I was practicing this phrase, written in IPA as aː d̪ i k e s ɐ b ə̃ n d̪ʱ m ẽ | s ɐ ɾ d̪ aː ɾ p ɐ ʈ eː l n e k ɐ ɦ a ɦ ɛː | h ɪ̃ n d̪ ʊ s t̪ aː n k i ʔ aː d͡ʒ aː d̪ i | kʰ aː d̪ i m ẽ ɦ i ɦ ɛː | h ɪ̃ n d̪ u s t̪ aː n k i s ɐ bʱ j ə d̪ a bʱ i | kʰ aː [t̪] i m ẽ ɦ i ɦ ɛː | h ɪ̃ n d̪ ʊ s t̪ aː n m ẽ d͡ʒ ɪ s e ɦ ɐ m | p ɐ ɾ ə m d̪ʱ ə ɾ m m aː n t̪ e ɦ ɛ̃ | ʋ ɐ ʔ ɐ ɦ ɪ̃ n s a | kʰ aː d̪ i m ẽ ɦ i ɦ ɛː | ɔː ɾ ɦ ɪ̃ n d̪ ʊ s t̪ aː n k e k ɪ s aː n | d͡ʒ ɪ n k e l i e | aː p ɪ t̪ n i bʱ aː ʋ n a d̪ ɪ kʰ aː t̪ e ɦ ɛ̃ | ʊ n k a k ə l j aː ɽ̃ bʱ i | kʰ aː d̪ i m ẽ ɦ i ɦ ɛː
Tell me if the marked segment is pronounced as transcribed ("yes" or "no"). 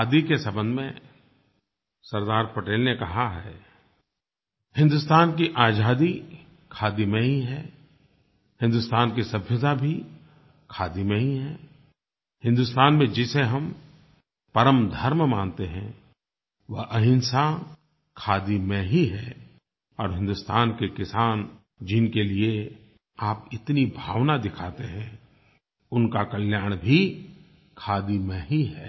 no